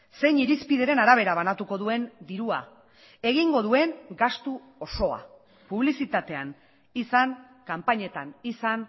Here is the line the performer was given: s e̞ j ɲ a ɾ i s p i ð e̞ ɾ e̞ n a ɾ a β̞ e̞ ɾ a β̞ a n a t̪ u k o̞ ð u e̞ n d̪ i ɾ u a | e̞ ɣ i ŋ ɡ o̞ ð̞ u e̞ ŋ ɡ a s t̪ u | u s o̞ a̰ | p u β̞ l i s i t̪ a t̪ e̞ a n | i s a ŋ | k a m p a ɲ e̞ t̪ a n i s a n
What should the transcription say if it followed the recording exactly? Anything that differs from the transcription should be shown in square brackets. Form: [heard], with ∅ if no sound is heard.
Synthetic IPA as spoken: s e̞ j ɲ [i] ɾ i s p i ð e̞ ɾ e̞ n a ɾ a β̞ e̞ ɾ a β̞ a n a t̪ u k o̞ ð u e̞ n d̪ i ɾ u a | e̞ ɣ i ŋ ɡ o̞ ð̞ u e̞ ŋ ɡ a s t̪ u | [o] s o̞ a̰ | p u β̞ l i s i t̪ a t̪ e̞ a n | i s a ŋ | k a m p a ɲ e̞ t̪ a n i s a n